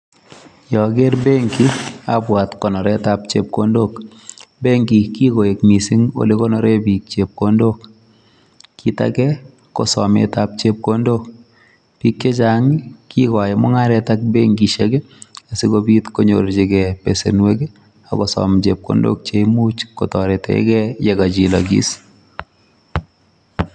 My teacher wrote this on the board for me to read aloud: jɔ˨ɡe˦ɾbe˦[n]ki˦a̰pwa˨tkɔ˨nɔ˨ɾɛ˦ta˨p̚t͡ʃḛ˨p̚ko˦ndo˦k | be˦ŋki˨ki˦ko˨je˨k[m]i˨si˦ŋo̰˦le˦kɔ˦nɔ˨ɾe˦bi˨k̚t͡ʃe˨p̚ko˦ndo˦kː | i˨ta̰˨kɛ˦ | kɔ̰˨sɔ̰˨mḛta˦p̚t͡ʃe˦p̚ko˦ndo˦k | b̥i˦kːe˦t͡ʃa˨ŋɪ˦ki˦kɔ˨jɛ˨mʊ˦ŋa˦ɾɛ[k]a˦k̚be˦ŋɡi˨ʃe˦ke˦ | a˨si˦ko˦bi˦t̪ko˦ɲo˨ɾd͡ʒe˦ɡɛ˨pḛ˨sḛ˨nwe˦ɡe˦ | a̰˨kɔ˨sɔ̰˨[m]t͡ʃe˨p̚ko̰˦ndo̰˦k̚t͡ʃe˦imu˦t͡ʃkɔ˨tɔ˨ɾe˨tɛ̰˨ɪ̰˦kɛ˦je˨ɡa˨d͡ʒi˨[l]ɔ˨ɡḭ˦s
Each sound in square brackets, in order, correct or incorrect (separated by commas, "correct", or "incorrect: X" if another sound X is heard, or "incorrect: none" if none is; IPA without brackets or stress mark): incorrect: ŋ, correct, incorrect: t, correct, correct